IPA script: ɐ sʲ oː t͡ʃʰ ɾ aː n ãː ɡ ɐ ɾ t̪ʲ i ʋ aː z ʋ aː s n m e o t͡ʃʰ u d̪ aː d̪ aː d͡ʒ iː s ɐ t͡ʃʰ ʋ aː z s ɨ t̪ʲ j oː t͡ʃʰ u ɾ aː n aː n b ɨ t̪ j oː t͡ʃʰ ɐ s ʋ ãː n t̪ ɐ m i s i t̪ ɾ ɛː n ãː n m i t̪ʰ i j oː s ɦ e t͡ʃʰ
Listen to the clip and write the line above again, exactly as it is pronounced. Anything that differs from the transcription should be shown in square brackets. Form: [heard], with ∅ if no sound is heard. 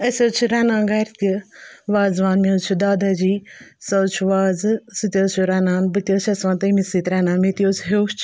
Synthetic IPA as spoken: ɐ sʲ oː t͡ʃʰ ɾ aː n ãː ɡ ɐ ɾ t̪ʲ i ʋ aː z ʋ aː [∅] n m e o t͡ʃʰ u d̪ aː d̪ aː d͡ʒ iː s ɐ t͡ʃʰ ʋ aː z s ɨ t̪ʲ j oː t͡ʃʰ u ɾ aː n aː n b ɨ t̪ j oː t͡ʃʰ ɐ s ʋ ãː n t̪ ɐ m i s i t̪ ɾ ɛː n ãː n m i [t̪] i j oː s ɦ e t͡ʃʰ

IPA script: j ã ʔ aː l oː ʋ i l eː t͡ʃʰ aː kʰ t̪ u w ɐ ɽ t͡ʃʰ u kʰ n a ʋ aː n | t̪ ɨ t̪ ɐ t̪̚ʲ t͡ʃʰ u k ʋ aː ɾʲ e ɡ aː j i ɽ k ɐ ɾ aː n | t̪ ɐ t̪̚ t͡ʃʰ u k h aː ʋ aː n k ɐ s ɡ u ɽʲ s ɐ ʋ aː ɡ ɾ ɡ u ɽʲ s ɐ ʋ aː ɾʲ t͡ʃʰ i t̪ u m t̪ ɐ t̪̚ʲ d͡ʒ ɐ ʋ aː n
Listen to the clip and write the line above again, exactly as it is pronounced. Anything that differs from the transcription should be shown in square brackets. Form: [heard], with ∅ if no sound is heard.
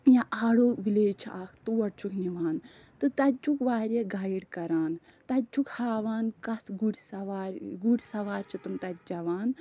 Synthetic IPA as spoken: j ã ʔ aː [ɽ] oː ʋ i l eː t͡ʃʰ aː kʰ t̪ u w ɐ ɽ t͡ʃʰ u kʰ n [i] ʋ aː n | t̪ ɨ t̪ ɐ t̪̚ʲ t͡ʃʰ u k ʋ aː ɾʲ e ɡ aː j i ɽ k ɐ ɾ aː n | t̪ ɐ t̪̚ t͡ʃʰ u k h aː ʋ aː n k ɐ s ɡ u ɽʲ s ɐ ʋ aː [∅] ɾ ɡ u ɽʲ s ɐ ʋ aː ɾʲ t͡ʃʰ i t̪ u m t̪ ɐ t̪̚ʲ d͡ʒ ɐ ʋ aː n

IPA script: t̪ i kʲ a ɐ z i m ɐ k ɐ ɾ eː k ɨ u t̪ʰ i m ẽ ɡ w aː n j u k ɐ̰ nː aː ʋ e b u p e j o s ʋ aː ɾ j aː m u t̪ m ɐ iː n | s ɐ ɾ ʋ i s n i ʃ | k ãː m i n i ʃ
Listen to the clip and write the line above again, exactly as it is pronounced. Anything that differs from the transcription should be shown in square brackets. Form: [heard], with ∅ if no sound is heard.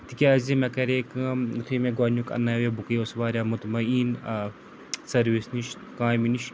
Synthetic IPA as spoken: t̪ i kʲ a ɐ z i m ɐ k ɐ ɾ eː k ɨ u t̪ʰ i m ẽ ɡ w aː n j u k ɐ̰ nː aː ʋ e b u [k] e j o s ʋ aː ɾ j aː m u t̪ m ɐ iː n | s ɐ ɾ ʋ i s n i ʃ | k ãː m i n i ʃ

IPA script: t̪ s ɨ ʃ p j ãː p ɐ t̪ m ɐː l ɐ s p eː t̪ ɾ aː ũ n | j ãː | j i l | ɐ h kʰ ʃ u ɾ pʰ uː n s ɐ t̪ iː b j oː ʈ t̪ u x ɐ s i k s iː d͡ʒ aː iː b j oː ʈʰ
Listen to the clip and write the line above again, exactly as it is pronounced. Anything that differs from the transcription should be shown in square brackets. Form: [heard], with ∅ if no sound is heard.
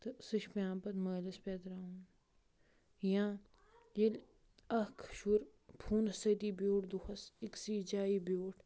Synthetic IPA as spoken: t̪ s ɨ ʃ p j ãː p ɐ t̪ m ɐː l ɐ s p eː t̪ ɾ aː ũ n | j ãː | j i l | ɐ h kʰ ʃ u ɾ pʰ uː n s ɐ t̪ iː b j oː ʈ [d̪] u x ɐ s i k s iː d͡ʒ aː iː b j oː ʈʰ

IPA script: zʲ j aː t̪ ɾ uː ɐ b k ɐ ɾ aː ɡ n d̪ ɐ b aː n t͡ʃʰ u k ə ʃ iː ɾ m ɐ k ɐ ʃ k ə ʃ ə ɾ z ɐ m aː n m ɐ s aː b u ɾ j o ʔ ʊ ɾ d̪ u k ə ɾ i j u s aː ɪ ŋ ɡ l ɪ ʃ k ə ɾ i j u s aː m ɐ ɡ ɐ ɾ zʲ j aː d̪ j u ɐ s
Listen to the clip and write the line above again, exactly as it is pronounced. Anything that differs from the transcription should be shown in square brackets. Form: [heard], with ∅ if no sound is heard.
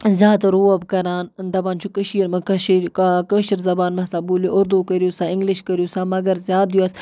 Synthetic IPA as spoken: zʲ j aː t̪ ɾ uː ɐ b k ɐ ɾ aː [∅] n d̪ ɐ b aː n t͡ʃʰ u k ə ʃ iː ɾ m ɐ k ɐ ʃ k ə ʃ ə ɾ z ɐ [b] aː n m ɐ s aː b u [l] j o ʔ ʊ ɾ d̪ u k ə ɾ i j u s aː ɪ ŋ ɡ l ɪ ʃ k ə ɾ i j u s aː m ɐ ɡ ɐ ɾ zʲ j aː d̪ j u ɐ s

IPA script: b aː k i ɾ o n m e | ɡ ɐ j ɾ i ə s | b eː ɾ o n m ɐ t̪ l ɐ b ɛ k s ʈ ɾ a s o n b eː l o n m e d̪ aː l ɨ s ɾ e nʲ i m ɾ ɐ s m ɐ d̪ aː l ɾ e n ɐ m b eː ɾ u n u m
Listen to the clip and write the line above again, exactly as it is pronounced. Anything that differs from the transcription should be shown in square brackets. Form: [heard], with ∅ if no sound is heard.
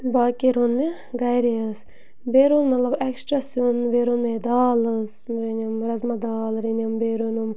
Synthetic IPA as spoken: b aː k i ɾ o n m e | ɡ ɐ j ɾ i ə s | b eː ɾ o n m ɐ t̪ l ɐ b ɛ k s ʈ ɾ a s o n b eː [ɾ] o n m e d̪ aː l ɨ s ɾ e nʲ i m ɾ ɐ [z] m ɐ d̪ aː l ɾ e n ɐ m b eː ɾ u n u m

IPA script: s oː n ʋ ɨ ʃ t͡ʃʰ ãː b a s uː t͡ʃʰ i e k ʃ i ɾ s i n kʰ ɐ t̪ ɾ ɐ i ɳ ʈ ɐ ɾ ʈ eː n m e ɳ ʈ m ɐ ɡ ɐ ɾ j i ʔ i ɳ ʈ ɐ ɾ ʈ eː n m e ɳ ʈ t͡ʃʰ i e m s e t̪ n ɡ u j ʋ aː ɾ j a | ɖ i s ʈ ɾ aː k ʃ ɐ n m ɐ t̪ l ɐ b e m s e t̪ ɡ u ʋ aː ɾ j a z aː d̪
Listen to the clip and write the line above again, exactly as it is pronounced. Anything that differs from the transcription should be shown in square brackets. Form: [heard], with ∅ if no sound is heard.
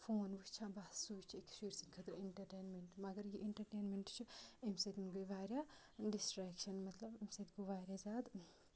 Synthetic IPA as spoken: [f] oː n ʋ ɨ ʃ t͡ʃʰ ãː b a s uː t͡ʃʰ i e k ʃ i ɾ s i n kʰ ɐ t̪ ɾ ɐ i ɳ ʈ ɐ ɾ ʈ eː n m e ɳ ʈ m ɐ ɡ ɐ ɾ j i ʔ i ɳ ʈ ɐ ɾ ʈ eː n m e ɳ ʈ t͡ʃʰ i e m s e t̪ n ɡ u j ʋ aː ɾ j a | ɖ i s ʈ ɾ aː k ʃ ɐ n m ɐ t̪ l ɐ b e m s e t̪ ɡ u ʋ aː ɾ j a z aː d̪

